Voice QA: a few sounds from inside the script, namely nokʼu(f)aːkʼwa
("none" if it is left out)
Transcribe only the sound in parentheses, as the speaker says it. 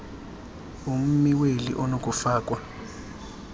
f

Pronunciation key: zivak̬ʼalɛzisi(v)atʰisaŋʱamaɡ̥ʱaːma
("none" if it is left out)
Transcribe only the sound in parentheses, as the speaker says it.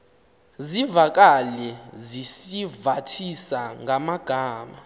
v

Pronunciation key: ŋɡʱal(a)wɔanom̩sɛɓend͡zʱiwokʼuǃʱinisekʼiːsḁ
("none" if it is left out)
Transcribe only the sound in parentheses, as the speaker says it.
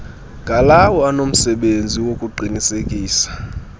a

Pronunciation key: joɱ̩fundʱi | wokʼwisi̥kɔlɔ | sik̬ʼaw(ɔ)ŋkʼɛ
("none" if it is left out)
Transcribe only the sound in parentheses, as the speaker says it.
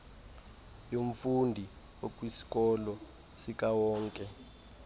ɔː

